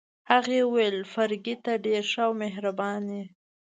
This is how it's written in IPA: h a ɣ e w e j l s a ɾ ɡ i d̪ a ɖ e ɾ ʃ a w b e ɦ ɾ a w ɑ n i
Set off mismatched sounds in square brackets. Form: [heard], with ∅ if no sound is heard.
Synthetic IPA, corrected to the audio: h a ɣ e w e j l [f] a ɾ ɡ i [t̪] a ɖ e ɾ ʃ a w [m] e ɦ ɾ a [b] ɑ n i